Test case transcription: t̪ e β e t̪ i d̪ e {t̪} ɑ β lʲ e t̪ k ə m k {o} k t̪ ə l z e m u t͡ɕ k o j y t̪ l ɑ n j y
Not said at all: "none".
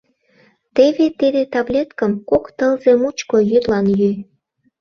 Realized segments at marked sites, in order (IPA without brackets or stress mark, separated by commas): t̪, o